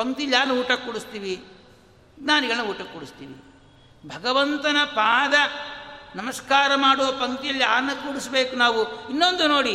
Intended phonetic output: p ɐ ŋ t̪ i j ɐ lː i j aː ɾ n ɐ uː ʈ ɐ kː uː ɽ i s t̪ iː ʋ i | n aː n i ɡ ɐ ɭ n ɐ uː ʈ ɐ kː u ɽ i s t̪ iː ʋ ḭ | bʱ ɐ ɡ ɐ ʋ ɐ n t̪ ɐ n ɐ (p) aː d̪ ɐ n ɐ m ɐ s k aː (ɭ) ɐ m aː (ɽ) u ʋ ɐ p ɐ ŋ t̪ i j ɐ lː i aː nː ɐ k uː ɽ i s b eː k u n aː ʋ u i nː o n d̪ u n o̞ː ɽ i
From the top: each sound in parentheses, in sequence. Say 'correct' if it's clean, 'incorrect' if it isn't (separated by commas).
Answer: correct, incorrect, correct